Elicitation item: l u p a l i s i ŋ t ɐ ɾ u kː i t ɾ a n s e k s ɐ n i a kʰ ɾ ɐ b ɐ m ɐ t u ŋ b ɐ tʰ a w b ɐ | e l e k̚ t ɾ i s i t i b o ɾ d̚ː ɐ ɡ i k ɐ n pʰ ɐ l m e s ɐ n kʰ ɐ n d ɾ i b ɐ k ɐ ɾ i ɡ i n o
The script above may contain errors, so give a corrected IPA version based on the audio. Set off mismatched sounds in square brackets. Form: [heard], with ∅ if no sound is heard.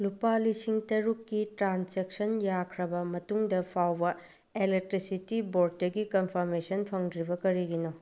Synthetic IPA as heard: l u p a l i s i ŋ t ɐ ɾ u kː i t ɾ a n s e k s ɐ n [j] a kʰ ɾ ɐ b ɐ m ɐ t u ŋ [d] ɐ [pʰ] a w b ɐ | e l e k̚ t ɾ i s i t i b o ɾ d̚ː ɐ ɡ i k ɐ n pʰ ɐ [ɾ] m e s ɐ n [pʰ] ɐ [ŋ] d ɾ i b ɐ k ɐ ɾ i ɡ i n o